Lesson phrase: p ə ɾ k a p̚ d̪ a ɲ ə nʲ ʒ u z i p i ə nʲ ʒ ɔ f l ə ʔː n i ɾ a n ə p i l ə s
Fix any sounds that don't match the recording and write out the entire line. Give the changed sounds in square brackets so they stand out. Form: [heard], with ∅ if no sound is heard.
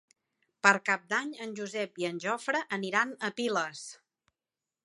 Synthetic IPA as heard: p ə ɾ k a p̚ d̪ a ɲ ə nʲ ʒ u z [ɛ] p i ə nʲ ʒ ɔ f [ɾ] ə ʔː n i ɾ a n ə p i l ə s